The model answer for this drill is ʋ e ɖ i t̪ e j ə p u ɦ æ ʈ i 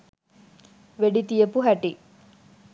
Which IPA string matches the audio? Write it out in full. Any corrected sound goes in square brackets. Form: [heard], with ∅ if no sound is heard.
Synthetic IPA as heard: ʋ e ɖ i t̪ [i] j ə p u ɦ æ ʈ i